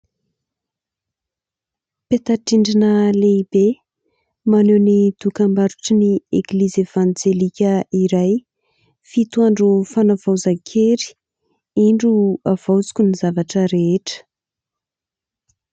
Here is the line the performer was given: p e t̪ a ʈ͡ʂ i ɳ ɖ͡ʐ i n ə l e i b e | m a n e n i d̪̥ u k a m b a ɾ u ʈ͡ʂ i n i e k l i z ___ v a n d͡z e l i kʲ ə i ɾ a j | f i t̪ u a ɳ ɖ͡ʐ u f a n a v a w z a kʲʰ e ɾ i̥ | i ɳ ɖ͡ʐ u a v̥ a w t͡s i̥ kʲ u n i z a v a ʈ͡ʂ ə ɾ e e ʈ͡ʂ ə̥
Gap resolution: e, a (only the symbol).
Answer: e